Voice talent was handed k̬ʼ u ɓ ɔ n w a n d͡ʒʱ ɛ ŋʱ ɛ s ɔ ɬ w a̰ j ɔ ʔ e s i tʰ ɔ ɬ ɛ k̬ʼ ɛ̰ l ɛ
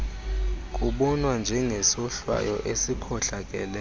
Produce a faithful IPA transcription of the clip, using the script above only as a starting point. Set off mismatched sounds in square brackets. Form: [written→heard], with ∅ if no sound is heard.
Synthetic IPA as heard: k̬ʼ u ɓ ɔ n w a n d͡ʒʱ ɛ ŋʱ ɛ s ɔ ɬ w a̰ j ɔ ʔ e s i [tʰ→kʰ] ɔ ɬ [ɛ→a] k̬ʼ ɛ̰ l ɛ